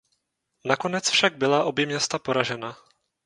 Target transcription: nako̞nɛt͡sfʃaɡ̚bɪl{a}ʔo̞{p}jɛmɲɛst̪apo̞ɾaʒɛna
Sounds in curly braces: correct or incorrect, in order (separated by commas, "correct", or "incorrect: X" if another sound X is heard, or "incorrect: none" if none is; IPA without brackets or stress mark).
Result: correct, incorrect: b